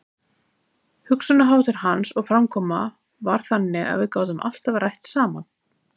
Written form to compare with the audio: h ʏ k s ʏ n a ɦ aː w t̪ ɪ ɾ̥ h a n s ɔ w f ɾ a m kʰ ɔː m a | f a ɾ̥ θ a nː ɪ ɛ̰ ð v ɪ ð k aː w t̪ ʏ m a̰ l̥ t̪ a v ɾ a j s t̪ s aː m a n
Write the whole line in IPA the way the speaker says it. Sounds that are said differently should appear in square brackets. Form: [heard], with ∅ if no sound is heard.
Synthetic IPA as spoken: h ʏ k s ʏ n a ɦ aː w t̪ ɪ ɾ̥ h a n s ɔ [ɣ] f ɾ a m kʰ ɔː m a | [v] a ɾ̥ θ a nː ɪ [a̰] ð v ɪ ð k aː w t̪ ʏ m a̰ l̥ t̪ a v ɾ a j [h] t̪ s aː m a n